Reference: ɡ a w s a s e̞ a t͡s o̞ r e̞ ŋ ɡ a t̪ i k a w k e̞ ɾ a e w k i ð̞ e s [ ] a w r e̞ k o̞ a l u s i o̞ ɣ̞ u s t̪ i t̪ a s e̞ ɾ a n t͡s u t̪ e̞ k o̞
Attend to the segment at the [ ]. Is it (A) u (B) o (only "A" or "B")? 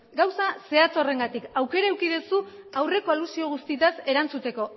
A